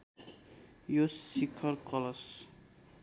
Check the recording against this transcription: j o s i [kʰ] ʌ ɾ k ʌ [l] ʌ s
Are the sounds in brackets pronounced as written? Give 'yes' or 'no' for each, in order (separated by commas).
yes, yes